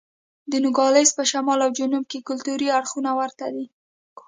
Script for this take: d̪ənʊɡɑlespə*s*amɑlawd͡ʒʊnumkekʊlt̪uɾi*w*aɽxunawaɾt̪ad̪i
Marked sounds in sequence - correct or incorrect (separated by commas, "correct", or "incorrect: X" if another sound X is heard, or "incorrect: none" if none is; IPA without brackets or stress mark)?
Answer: incorrect: ʃ, incorrect: none